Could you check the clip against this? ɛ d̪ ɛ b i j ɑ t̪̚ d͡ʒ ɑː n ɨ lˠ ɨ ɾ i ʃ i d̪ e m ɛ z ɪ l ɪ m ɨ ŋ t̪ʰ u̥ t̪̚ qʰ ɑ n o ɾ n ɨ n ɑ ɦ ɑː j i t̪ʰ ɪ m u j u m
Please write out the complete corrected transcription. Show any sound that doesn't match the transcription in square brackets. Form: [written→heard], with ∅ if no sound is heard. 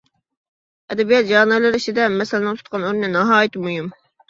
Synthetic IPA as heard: ɛ d̪ ɛ b i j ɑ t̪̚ d͡ʒ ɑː n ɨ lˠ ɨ ɾ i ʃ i d̪ [e→ɛ] m ɛ [z→s] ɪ l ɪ [m→n] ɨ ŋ t̪ʰ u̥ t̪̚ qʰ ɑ n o ɾ n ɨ n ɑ ɦ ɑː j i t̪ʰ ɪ m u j u m